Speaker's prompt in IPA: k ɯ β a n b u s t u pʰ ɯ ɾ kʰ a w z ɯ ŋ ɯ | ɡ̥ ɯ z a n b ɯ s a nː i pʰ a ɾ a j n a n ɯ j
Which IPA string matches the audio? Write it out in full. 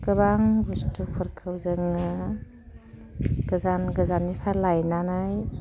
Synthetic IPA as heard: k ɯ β a ŋ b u s t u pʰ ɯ ɾ kʰ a w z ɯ ŋ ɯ | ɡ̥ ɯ z a n ɡ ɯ z a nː i pʰ a l a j n a n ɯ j

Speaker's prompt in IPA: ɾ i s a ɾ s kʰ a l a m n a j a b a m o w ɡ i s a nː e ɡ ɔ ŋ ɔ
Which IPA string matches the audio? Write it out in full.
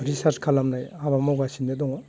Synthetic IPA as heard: ɾ i s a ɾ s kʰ a l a m n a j a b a m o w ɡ a s i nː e d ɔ ŋ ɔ

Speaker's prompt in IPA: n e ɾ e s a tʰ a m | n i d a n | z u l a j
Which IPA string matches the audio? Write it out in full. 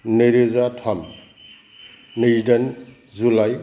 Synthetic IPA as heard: n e ɾ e z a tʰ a m | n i d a n | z u l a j

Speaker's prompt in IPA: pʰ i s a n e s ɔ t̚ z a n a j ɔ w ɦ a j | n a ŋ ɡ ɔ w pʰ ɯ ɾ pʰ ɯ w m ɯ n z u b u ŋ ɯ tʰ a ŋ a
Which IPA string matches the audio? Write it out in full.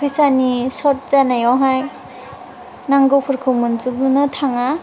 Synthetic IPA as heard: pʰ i s a n i s ɔ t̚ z a n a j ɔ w ɦ a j | n a ŋ ɡ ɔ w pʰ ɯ ɾ kʰ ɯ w m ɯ n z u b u n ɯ tʰ a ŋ a

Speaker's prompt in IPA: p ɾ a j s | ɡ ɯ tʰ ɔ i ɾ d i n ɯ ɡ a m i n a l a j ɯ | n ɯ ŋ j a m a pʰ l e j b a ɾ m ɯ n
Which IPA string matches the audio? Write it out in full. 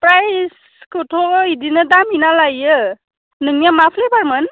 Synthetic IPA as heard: p ɾ a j s | k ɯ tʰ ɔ i d i n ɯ d a m i n a l a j ɯ | n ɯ ŋ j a m a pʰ l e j b a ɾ m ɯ n

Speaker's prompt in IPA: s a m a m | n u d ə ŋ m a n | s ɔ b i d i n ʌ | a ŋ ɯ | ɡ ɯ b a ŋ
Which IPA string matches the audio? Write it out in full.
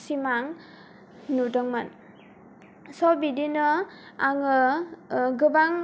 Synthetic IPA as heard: s i m a ŋ | n u d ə ŋ m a n | s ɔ b i d i n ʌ | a ŋ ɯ | ɡ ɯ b a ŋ

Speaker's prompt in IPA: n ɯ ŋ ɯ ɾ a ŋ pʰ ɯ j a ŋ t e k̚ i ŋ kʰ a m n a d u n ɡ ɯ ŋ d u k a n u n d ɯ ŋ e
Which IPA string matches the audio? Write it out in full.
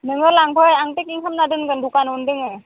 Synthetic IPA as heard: n ɯ ŋ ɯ l a ŋ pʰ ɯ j a ŋ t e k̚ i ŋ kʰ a m n a d ɯ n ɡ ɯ n d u k a n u n d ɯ ŋ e

